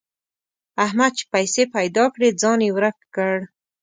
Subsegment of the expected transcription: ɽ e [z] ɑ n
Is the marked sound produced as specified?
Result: no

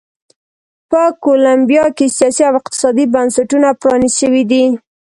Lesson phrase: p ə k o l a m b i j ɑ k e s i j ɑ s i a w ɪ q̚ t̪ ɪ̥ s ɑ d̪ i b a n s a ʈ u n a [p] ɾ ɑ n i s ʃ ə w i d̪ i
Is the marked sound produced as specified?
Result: yes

